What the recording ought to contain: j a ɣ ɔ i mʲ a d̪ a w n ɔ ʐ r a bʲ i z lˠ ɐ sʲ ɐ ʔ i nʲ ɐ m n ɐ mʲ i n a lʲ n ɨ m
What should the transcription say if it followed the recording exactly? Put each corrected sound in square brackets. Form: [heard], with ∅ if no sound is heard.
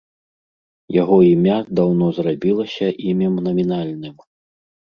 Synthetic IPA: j a ɣ ɔ i mʲ a d̪ a w n ɔ [z] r a bʲ i [∅] lˠ ɐ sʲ ɐ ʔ i [mʲ] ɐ m n ɐ mʲ i n a lʲ n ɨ m